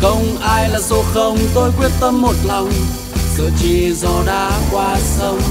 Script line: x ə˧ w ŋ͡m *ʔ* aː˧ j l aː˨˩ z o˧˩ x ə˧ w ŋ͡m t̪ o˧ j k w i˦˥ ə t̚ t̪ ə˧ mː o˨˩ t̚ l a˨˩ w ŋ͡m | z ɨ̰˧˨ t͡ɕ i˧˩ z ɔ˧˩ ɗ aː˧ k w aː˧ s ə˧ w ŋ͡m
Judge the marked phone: correct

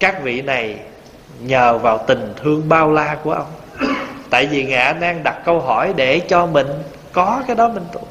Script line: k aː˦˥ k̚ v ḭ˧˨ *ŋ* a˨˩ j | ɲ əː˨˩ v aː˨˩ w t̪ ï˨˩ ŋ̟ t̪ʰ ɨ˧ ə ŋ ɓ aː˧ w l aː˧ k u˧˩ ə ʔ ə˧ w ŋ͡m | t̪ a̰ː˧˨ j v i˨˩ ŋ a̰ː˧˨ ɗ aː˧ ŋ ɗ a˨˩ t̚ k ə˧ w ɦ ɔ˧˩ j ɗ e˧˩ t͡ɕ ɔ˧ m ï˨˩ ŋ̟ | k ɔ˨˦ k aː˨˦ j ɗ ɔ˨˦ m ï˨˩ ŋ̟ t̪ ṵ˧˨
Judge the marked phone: incorrect: n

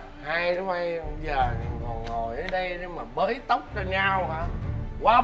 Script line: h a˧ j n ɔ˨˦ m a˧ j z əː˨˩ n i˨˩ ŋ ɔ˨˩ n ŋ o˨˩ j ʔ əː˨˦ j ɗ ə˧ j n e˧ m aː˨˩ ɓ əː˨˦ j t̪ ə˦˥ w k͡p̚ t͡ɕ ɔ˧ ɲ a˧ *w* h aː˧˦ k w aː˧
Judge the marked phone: correct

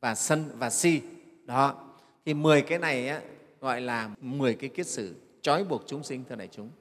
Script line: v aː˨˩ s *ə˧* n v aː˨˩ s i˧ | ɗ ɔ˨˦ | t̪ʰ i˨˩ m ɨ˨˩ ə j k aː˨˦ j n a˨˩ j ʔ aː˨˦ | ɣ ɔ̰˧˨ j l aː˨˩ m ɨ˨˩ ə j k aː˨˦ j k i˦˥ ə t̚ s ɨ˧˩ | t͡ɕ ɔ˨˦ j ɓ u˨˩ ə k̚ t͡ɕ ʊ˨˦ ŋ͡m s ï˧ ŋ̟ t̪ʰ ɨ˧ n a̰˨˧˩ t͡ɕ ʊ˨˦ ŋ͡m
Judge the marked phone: correct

